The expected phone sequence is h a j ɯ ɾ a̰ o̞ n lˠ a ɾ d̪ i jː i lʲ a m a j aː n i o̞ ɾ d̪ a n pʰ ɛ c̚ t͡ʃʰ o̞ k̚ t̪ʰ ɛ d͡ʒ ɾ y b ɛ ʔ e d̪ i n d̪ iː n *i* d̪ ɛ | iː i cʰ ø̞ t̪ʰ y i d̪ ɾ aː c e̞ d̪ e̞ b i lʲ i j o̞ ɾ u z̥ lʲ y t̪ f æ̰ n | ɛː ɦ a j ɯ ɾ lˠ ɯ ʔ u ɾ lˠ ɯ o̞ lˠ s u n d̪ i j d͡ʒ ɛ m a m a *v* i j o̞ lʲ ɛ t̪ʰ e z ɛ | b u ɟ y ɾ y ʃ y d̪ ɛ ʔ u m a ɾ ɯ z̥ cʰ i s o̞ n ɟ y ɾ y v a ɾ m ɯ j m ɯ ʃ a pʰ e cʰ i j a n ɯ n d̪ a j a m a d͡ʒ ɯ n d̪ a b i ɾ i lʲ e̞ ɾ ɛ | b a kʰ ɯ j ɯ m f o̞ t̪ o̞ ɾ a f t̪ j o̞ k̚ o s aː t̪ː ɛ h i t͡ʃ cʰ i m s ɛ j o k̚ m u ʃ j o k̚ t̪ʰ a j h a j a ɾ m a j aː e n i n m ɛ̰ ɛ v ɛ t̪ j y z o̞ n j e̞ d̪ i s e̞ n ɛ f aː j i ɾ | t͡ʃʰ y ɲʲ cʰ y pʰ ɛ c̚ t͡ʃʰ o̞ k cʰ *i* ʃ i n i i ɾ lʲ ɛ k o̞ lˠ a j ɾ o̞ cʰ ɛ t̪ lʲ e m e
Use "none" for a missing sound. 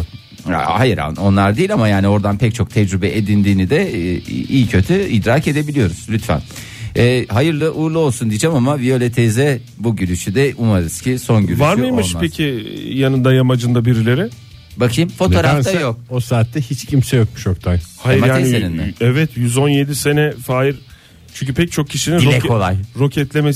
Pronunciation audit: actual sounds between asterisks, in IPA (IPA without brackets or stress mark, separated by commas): i, v, i